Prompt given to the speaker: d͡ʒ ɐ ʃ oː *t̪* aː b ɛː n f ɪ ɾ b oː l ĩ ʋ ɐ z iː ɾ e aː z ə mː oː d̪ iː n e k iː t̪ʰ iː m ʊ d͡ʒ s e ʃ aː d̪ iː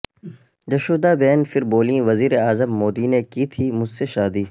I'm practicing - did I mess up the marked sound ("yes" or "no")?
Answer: yes